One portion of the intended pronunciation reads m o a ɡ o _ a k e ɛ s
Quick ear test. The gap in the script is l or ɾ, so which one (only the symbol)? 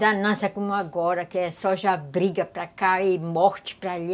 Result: ɾ